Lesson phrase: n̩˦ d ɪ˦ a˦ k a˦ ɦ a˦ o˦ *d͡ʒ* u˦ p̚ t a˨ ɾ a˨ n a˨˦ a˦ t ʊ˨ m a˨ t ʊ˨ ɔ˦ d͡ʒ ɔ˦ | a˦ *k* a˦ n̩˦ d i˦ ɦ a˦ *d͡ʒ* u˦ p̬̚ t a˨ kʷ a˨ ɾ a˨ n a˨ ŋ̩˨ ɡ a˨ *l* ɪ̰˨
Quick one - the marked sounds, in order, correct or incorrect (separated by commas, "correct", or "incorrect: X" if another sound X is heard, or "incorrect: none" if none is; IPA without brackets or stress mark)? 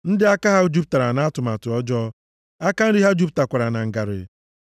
correct, correct, correct, incorrect: ɾ